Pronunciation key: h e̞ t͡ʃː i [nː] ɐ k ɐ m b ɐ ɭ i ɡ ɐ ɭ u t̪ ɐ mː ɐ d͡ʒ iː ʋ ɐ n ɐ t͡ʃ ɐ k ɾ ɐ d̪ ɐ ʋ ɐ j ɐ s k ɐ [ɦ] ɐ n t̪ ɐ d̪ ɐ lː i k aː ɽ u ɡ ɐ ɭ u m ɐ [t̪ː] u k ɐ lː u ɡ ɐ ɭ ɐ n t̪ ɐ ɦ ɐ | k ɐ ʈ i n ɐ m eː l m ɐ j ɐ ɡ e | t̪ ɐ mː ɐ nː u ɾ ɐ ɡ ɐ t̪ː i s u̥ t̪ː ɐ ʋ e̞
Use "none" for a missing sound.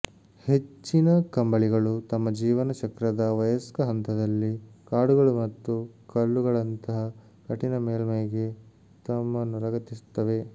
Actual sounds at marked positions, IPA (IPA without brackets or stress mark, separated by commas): n, ɦ, t̪ː